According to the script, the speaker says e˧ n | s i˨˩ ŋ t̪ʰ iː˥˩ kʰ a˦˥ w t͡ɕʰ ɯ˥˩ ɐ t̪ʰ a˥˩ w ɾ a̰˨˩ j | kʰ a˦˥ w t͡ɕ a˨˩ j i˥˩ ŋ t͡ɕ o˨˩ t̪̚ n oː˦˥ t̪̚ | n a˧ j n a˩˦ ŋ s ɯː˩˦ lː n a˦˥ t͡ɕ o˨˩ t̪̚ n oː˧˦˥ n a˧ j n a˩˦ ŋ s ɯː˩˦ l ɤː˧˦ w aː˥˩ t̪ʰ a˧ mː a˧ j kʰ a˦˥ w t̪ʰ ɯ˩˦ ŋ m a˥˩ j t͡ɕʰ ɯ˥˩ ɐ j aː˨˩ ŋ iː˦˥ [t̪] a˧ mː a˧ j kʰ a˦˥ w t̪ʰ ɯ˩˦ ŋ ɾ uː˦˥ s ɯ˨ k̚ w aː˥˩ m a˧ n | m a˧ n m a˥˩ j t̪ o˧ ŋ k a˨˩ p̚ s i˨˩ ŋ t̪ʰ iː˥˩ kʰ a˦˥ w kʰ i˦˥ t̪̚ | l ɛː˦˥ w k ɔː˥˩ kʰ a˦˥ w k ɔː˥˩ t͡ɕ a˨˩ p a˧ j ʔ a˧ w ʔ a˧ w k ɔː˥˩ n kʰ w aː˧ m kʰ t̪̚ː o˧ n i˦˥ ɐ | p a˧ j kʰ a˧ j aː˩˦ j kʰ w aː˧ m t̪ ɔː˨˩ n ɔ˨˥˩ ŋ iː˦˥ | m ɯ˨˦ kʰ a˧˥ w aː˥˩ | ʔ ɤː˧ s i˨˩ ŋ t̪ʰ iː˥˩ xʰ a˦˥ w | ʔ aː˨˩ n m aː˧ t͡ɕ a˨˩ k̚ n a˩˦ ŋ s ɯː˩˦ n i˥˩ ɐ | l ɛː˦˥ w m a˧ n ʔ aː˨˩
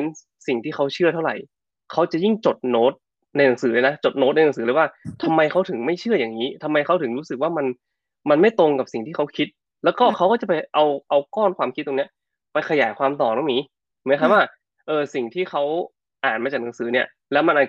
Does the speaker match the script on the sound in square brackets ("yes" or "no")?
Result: no